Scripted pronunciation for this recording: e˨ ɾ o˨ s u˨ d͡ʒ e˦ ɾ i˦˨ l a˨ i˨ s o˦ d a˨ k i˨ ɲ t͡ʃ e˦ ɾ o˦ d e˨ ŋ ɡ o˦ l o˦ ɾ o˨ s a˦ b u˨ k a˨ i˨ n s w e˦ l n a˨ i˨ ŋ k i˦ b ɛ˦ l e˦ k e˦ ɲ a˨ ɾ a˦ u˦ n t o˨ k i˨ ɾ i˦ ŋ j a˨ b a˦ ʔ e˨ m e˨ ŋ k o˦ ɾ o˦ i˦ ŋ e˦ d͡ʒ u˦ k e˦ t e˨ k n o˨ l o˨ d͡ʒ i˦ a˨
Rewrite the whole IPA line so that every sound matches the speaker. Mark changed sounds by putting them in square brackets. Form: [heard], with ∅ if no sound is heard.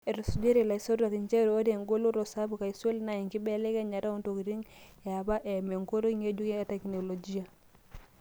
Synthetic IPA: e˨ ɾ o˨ s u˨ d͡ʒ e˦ ɾ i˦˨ l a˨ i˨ s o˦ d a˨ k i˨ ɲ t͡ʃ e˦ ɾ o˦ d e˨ ŋ ɡ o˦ l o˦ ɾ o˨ s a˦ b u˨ k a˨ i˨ [∅] s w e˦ l n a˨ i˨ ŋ k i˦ b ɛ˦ l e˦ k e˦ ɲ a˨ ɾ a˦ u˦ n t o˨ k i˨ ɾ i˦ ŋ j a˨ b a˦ ʔ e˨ m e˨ ŋ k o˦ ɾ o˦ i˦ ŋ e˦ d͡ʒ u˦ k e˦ t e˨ k n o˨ l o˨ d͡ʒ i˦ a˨